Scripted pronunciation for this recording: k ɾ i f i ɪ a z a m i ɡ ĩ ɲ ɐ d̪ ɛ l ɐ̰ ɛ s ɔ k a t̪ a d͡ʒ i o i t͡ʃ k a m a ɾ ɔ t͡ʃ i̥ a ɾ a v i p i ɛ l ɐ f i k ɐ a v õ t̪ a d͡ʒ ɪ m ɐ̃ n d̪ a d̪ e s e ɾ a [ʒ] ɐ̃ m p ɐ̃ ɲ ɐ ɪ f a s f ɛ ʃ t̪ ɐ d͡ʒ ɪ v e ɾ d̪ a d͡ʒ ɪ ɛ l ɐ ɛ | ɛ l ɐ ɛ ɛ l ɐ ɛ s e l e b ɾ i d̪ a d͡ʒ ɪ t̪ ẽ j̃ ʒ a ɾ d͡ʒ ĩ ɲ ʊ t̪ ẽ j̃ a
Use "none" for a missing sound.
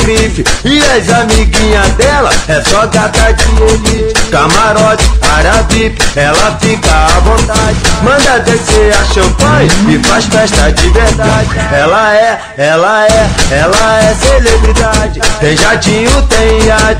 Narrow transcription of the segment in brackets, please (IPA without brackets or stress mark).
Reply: ʃ